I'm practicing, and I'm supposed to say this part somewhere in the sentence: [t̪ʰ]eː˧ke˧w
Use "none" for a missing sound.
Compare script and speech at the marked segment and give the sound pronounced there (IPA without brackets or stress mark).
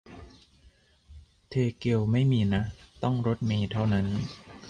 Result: t̪ʰ